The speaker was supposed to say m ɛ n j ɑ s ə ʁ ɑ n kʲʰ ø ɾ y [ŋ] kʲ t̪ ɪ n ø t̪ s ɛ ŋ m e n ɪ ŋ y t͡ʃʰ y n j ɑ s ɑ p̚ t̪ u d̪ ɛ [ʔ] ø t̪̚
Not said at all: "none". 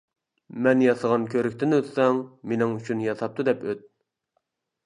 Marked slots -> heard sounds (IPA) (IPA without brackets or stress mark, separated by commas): none, p